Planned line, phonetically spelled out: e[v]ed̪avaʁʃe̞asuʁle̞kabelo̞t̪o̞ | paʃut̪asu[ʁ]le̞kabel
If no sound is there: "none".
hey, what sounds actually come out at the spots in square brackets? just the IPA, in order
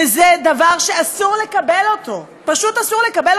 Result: z, ʁ

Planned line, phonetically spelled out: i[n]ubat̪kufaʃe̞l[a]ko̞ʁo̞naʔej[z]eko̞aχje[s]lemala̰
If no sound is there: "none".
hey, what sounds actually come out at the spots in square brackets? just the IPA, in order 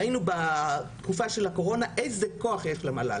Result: n, a, z, ʃ

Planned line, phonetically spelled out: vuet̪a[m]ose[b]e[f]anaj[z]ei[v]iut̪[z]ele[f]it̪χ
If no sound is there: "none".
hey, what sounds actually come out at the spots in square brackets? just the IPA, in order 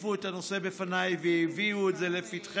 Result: n, b, f, v, v, z, f

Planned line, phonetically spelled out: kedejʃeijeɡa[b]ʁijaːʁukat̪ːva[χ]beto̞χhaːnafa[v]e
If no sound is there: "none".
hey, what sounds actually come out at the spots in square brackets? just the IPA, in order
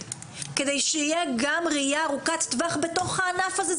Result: m, χ, z

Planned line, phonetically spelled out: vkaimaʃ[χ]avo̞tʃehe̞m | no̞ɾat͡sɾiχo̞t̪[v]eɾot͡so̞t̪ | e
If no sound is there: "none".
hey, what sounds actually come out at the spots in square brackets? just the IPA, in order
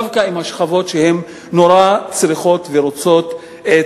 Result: χ, v

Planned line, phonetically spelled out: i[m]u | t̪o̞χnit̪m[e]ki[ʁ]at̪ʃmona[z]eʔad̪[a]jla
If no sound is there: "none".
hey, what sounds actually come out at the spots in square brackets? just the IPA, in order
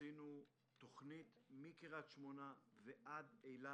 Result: n, i, ʁ, v, e

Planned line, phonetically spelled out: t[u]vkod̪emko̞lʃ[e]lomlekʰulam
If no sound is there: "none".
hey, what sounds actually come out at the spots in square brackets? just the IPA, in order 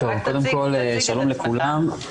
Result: o, a

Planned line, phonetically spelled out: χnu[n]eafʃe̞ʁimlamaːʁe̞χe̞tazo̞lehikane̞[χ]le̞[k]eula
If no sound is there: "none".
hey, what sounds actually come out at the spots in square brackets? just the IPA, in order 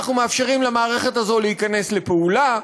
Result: m, s, p

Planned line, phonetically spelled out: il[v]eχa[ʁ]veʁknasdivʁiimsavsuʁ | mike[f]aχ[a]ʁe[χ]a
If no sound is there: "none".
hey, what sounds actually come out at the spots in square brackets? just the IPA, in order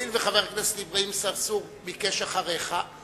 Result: v, none, ʃ, a, χ

